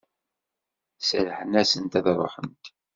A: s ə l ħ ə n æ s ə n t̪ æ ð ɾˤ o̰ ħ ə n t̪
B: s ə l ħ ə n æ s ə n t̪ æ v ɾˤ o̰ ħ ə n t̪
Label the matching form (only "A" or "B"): A